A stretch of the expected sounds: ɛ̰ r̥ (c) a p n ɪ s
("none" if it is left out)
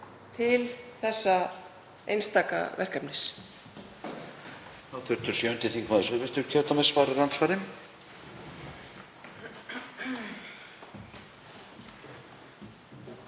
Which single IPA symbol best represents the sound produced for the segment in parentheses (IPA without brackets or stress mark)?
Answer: k